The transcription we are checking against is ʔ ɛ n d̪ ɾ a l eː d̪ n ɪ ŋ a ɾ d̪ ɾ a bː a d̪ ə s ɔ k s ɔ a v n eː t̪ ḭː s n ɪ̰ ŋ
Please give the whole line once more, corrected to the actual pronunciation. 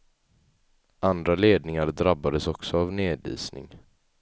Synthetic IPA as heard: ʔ a n d̪ ɾ a l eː d̪ n ɪ ŋ a ɾ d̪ ɾ a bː a d̪ ə s ɔ k s ɔ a v n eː d̪ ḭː s n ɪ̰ ŋ